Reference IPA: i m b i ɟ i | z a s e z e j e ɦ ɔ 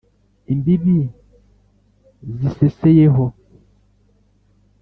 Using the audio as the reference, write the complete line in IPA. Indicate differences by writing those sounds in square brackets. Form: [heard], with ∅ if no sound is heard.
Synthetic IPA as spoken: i m b i [b] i | z [i] s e [s] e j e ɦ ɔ